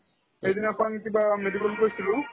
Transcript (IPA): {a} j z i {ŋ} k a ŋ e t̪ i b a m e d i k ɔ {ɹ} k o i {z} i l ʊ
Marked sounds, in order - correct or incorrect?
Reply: incorrect: e, incorrect: n, incorrect: l, incorrect: s

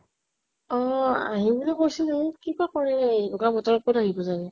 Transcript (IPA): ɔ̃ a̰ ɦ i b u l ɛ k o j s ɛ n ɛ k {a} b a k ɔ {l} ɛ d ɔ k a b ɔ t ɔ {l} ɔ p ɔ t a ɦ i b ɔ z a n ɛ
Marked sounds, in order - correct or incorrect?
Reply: incorrect: i, incorrect: ɹ, incorrect: ɹ

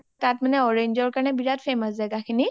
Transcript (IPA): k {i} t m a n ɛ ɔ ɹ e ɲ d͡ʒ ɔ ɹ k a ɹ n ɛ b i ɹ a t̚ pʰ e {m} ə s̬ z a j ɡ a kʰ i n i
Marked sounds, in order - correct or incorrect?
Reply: incorrect: a, correct

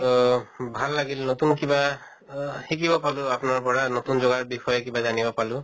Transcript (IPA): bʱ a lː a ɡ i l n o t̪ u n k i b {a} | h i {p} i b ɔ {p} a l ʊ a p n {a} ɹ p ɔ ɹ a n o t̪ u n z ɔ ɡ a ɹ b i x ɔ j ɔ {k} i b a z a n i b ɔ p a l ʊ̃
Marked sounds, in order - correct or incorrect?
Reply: correct, incorrect: k, correct, correct, correct

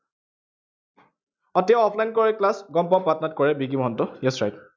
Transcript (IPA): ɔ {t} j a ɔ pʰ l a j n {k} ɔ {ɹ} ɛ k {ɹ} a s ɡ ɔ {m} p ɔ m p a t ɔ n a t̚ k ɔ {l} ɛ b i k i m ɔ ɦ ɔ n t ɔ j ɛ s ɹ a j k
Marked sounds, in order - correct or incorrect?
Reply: correct, correct, correct, incorrect: l, correct, incorrect: ɹ

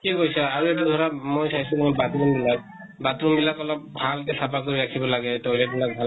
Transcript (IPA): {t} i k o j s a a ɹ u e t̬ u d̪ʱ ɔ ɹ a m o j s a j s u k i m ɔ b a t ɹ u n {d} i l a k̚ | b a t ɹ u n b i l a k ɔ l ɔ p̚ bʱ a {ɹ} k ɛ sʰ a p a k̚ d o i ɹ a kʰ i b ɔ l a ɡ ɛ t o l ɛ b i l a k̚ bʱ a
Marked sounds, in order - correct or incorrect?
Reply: incorrect: k, incorrect: b, incorrect: l

